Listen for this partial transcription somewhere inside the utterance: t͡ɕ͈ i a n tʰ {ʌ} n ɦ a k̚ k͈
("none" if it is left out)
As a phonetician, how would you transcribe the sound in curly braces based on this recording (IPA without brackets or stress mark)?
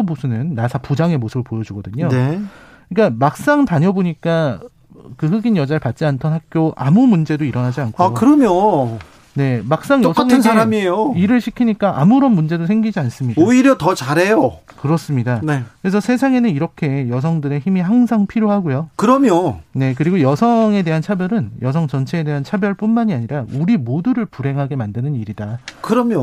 ʌ